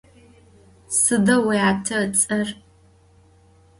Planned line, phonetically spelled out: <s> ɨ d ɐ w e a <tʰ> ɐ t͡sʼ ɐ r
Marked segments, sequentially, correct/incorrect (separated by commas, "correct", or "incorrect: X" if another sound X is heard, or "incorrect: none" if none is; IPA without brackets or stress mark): correct, correct